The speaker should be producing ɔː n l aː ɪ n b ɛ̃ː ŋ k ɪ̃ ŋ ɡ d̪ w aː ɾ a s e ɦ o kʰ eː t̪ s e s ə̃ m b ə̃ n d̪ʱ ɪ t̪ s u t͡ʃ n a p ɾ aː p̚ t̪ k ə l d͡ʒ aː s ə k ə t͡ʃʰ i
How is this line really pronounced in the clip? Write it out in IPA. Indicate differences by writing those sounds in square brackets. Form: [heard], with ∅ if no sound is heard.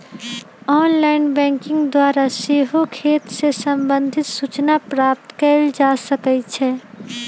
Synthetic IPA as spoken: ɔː n l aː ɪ n b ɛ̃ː ŋ k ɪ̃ ŋ ɡ d̪ w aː ɾ a s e ɦ o kʰ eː t̪ s e s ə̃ m b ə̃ n d̪ʱ ɪ t̪ s u t͡ʃ n a p ɾ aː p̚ t̪ k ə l d͡ʒ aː s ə k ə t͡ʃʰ [ɛ]